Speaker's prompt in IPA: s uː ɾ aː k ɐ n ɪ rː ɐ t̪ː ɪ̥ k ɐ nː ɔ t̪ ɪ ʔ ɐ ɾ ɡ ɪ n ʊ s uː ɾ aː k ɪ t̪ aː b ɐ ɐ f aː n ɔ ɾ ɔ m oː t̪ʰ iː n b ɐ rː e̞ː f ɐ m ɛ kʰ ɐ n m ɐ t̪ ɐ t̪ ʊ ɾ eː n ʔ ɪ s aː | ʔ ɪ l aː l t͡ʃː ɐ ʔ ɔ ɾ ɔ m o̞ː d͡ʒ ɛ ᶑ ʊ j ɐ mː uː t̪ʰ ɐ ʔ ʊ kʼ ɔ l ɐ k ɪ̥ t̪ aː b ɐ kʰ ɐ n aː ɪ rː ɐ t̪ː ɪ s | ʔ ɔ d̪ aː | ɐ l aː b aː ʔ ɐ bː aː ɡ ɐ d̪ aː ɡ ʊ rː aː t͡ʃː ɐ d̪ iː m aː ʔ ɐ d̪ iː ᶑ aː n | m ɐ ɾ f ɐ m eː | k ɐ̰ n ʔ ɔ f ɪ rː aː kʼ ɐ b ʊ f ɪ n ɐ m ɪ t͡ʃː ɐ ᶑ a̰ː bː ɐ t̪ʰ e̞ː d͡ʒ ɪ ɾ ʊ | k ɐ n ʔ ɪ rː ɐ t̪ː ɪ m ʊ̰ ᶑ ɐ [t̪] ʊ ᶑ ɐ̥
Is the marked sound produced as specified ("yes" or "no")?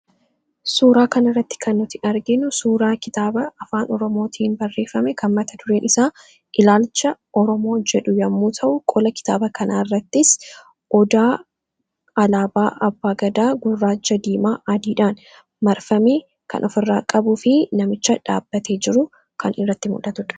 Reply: yes